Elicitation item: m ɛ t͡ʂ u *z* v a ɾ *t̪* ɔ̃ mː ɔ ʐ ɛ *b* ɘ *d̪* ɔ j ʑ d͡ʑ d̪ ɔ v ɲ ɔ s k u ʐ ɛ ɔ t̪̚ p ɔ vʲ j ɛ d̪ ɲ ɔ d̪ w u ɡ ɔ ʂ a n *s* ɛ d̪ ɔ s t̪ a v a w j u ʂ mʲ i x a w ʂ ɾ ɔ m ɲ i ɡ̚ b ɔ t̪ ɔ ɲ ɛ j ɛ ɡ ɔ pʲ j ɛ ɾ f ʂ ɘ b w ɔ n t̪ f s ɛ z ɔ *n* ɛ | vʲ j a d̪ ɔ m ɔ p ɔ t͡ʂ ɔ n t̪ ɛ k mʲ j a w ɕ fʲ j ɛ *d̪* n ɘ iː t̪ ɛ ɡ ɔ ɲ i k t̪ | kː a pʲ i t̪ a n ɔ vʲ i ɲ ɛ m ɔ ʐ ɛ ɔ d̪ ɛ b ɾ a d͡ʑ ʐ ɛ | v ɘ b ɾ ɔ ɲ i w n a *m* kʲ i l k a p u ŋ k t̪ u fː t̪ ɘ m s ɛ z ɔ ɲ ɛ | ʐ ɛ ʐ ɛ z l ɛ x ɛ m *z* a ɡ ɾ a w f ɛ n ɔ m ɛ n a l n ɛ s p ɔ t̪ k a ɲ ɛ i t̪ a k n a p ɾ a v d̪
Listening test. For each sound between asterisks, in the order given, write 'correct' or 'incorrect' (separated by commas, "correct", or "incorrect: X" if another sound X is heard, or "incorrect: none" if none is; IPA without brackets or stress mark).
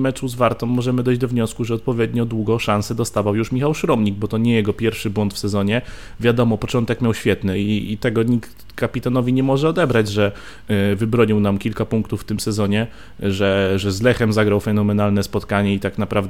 correct, correct, incorrect: m, correct, correct, incorrect: ɲ, incorrect: t̪, correct, correct